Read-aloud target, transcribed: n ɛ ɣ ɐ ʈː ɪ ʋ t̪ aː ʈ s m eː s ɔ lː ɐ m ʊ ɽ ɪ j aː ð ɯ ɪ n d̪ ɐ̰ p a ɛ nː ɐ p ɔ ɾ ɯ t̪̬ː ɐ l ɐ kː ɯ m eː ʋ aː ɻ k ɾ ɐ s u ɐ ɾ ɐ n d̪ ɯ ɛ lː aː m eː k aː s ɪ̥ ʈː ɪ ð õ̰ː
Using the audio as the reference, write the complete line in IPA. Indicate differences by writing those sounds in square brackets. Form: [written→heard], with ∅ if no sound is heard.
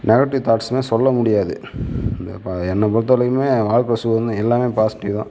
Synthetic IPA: n ɛ ɣ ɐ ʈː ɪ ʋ t̪ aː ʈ s m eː s ɔ lː ɐ m ʊ ɽ ɪ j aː ð ɯ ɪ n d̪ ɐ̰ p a ɛ nː ɐ p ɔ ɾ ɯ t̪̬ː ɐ l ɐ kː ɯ m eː ʋ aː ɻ k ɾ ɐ s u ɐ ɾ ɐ n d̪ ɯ ɛ lː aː m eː [k→p] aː s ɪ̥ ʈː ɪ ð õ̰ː